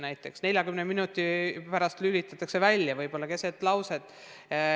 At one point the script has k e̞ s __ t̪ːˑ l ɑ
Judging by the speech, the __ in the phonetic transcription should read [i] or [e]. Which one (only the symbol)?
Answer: e